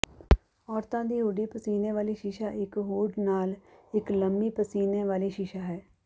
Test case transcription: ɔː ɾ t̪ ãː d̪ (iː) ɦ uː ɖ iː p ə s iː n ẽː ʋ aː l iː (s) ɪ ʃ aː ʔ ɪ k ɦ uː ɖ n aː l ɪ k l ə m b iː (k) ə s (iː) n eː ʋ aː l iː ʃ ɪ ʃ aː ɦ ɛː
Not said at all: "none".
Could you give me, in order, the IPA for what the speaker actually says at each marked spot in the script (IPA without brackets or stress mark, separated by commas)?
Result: iː, ʃ, p, iː